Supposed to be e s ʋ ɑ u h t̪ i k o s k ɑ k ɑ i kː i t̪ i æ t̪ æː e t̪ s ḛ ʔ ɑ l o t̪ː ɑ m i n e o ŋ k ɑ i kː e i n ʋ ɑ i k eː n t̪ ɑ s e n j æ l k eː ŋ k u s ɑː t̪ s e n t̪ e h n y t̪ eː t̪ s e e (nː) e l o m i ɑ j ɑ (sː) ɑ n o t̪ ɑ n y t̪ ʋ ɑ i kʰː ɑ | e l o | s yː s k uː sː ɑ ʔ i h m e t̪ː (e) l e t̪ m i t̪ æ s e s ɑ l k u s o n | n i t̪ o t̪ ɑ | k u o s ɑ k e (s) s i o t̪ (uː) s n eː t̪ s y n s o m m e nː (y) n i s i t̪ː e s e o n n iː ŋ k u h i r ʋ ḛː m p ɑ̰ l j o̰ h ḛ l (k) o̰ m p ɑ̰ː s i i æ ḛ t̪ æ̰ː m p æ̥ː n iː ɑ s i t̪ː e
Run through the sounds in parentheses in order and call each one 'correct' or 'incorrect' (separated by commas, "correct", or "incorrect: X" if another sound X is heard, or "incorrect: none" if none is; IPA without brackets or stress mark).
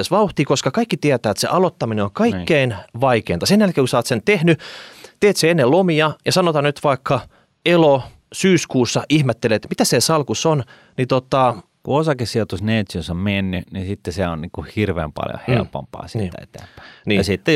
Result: correct, incorrect: s, correct, correct, incorrect: u, correct, incorrect: p